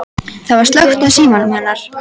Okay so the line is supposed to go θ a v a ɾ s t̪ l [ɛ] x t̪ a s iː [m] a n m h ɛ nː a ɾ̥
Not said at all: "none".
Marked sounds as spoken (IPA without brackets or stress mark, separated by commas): œ, m